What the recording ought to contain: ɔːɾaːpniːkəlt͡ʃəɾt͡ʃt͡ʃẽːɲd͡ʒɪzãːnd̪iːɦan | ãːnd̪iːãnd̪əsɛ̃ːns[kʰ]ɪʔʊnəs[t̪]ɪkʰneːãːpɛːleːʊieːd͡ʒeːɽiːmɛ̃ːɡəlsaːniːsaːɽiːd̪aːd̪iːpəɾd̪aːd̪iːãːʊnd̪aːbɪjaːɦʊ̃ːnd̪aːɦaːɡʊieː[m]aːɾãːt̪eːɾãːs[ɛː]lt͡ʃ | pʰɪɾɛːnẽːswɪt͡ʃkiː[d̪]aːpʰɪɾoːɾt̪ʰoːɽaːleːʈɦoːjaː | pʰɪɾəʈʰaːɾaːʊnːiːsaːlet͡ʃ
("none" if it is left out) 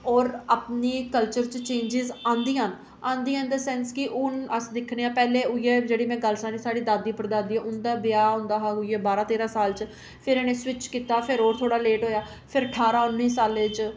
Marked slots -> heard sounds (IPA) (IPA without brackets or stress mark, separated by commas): k, d̪, b, aː, t̪